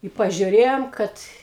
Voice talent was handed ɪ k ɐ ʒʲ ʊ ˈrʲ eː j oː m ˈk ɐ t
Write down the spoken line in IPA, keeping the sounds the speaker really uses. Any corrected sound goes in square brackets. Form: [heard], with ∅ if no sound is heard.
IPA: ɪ [p] ɐ ʒʲ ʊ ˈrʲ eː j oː m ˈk ɐ t